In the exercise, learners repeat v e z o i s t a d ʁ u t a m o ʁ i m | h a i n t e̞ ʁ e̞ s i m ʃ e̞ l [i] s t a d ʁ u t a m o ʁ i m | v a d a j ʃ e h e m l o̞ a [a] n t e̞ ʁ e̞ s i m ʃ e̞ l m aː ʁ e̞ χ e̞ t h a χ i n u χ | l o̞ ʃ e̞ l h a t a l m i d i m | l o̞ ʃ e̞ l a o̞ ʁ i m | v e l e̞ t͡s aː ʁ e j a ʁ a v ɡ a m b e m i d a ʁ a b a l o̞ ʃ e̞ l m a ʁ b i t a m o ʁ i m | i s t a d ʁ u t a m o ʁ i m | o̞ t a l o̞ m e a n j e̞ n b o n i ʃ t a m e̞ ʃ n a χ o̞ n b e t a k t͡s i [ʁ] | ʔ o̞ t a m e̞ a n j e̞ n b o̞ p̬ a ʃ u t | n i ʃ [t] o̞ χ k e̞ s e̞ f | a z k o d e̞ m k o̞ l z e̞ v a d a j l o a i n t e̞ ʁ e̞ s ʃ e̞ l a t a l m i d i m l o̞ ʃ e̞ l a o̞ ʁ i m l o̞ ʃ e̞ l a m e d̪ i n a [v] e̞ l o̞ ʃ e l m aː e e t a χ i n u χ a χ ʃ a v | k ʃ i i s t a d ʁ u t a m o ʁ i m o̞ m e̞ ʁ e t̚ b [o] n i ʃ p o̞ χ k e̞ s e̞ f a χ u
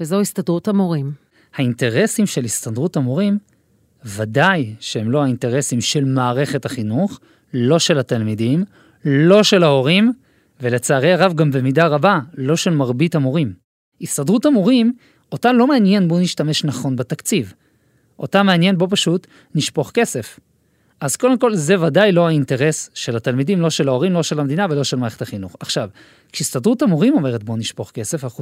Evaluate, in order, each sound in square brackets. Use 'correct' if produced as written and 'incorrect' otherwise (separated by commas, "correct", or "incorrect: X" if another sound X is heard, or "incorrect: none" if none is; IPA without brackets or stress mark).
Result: correct, incorrect: i, incorrect: v, incorrect: p, correct, correct